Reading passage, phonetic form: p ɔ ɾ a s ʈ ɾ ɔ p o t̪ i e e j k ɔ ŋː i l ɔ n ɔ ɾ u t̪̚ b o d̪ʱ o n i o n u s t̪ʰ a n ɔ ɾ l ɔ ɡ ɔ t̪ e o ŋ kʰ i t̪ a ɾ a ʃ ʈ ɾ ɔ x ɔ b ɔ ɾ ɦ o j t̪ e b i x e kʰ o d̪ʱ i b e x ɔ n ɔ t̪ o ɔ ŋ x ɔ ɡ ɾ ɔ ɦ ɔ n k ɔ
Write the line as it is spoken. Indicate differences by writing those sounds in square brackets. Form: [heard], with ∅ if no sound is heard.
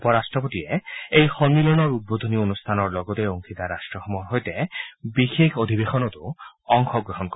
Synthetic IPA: p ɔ ɾ a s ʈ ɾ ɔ p o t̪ i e e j [x] ɔ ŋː i l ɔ n ɔ ɾ u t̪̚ b o d̪ʱ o n i o n u s t̪ʰ a n ɔ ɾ l ɔ ɡ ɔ t̪ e o ŋ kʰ i t̪ a ɾ a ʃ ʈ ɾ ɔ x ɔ [m] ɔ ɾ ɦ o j t̪ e b i x e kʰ o d̪ʱ i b e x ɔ n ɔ t̪ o ɔ ŋ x ɔ ɡ ɾ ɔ ɦ ɔ n k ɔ